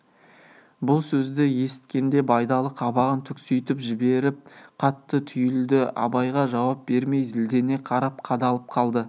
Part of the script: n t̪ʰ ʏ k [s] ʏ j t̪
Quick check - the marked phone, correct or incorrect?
correct